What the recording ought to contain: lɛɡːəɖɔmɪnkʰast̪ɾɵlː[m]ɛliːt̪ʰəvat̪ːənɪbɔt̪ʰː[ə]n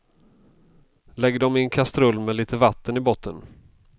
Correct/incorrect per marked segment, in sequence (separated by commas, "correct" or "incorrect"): correct, correct